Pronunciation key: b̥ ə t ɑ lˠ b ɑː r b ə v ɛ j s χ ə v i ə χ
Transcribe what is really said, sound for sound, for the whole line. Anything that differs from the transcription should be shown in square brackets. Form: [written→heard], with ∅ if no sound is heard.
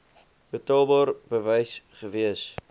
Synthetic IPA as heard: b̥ ə t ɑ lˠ b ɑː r b ə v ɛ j s χ ə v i ə [χ→s]